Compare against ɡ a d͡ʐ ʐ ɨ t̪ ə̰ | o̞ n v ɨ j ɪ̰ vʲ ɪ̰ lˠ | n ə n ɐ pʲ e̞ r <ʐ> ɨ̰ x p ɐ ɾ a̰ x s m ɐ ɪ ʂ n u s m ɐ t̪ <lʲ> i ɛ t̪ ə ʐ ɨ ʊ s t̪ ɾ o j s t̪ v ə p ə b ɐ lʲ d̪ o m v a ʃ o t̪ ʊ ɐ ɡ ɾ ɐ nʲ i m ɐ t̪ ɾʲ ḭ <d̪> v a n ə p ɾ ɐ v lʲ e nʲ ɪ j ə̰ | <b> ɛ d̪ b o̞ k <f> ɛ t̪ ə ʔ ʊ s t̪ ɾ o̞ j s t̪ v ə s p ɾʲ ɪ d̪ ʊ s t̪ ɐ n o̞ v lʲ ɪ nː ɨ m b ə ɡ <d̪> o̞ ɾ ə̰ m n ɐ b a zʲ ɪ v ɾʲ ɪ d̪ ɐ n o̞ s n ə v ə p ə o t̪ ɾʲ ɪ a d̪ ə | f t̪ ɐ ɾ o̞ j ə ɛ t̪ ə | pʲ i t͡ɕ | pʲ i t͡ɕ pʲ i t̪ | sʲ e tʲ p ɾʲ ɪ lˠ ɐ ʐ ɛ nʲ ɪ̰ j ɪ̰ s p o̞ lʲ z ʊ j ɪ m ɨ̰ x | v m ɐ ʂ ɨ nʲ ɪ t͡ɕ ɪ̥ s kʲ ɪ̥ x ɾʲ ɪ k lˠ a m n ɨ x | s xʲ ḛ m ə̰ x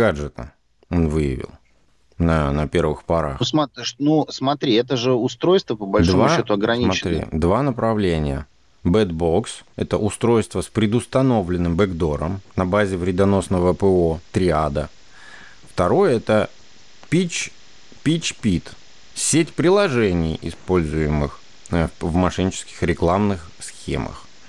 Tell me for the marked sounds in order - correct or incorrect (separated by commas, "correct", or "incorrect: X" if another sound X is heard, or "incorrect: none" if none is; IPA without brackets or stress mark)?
incorrect: v, incorrect: ɾʲ, correct, correct, incorrect: s, correct